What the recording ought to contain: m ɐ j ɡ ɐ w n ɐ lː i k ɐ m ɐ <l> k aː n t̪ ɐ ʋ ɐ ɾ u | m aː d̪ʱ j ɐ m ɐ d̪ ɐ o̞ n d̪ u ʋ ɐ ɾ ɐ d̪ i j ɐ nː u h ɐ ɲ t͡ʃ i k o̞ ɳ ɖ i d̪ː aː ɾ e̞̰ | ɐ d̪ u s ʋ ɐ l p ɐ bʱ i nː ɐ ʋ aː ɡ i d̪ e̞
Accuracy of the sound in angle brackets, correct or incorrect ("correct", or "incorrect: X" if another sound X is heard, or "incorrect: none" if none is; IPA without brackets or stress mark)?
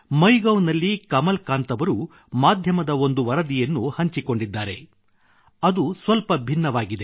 correct